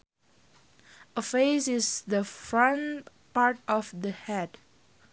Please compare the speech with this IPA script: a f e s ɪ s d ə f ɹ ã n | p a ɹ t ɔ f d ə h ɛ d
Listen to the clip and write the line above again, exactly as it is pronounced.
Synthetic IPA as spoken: ə f e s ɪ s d ə f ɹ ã n | p a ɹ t ɔ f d ə h ɛ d

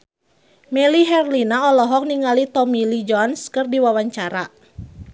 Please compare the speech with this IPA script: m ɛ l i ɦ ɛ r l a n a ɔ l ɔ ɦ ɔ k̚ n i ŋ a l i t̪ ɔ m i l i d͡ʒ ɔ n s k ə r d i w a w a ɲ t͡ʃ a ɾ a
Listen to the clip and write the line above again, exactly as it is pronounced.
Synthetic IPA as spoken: m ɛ l i ɦ ɛ r l i n a ɔ l ɔ ɦ ɔ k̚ n i ŋ a l i t̪ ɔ m i l i d͡ʒ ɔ n s k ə r d i w a w a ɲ t͡ʃ a ɾ a

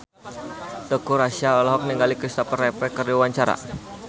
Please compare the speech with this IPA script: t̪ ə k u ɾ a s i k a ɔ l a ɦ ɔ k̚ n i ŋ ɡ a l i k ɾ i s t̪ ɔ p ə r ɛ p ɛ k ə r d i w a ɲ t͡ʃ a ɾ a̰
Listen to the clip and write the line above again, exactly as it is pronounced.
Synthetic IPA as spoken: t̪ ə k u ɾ a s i a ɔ l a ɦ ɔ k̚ n i ŋ ɡ a l i k ɾ i s t̪ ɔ p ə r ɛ p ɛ k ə r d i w a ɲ t͡ʃ a ɾ a̰

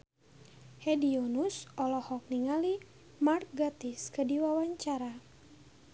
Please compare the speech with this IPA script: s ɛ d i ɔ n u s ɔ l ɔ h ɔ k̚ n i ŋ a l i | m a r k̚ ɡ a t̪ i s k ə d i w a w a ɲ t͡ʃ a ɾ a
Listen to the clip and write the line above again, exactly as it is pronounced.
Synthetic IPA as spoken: h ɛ d i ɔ n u s ɔ l ɔ h ɔ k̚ n i ŋ a l i | m a r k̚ ɡ a t̪ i s k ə d i w a w a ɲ t͡ʃ a ɾ a

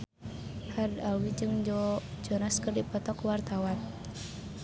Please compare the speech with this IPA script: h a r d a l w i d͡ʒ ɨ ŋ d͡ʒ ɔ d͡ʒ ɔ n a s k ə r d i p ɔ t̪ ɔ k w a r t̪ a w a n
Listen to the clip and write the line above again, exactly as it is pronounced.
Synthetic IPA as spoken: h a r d a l w i d͡ʒ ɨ ŋ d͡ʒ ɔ d͡ʒ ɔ n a s k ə r d i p ɔ t̪ ɔ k w a r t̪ a w a n

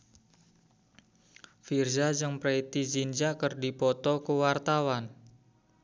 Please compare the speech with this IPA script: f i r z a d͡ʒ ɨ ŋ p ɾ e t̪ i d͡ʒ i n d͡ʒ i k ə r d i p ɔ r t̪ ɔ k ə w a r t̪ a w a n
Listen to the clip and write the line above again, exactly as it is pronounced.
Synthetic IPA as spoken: f i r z a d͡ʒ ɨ ŋ p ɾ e t̪ i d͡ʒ i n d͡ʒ a k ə r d i p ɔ t̪ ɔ k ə w a r t̪ a w a n

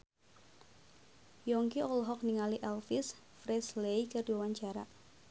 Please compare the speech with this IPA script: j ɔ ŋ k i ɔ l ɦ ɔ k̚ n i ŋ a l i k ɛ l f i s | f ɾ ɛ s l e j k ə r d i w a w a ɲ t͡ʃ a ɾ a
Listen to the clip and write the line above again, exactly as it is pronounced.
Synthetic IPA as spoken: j ɔ ŋ k i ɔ l ɦ ɔ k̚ n i ŋ a l i ʔ ɛ l f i s | f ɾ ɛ s l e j k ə r d i w a w a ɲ t͡ʃ a ɾ a

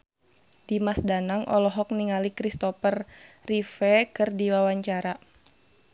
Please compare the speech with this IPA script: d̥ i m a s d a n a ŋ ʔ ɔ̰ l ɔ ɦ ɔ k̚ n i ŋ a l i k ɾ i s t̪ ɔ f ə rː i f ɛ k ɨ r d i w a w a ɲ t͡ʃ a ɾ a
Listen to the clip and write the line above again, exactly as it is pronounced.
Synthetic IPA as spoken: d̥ i m a s d a n a ŋ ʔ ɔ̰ l ɔ ɦ ɔ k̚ n i ŋ a l i k ɾ i s t̪ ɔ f ə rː i f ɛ k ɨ r d i w a w a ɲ t͡ʃ a ɾ a

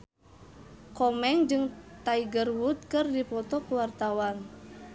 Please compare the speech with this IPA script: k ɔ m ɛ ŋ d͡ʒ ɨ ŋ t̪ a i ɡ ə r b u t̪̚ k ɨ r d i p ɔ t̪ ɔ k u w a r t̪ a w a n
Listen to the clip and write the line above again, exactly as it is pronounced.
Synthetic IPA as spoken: k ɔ m ɛ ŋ d͡ʒ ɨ ŋ t̪ a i ɡ ə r w u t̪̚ k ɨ r d i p ɔ t̪ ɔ k u w a r t̪ a w a n

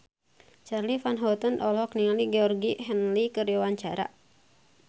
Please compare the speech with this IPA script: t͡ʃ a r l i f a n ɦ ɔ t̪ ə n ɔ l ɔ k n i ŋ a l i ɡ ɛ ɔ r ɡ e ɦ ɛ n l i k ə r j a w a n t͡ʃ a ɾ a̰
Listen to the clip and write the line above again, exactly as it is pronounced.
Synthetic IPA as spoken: t͡ʃ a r l i f a n ɦ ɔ t̪ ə n ɔ l ɔ k n i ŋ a l i ɡ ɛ ɔ r ɡ i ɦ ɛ n l i k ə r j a w a ɲ t͡ʃ a ɾ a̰

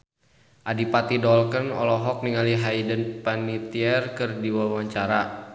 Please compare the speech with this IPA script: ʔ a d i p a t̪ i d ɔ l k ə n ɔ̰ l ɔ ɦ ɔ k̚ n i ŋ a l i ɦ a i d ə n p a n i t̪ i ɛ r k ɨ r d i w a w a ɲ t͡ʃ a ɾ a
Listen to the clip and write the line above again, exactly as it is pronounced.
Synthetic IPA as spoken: ʔ a d i p a t̪ i d ɔ l k ə n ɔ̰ l ɔ ɦ ɔ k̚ n i ŋ a l i ɦ a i d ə n p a n i t̪ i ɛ r k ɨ r d i w a w a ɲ t͡ʃ a ɾ a

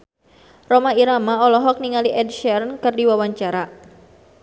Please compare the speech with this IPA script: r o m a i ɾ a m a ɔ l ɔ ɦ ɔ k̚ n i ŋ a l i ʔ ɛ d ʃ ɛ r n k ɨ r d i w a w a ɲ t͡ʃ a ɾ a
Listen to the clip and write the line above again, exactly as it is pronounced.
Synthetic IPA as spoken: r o m a i ɾ a m a ɔ l ɔ ɦ ɔ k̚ n i ŋ a l i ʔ ɛ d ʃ ɛ r n k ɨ r d i w a w a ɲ t͡ʃ a ɾ a

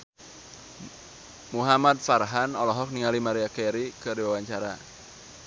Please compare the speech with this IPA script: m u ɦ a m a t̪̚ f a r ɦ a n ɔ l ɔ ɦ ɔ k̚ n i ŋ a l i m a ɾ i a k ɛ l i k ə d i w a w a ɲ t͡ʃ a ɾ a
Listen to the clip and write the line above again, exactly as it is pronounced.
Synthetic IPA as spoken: m u ɦ a m a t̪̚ f a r ɦ a n ɔ l ɔ ɦ ɔ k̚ n i ŋ a l i m a ɾ i a k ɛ ɾ i k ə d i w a w a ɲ t͡ʃ a ɾ a

